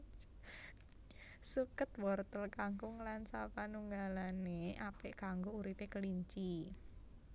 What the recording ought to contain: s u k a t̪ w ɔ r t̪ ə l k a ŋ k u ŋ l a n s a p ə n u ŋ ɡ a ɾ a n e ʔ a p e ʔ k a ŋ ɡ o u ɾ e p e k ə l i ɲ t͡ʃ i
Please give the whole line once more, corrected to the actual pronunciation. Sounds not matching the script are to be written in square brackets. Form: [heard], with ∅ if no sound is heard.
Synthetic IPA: s u k [ə] t̪ w ɔ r t̪ ə l k a ŋ k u ŋ l a n s a p [a] n u ŋ ɡ a [l] a n e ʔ a p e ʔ k a ŋ ɡ o u ɾ [i] p e k ə l i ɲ t͡ʃ i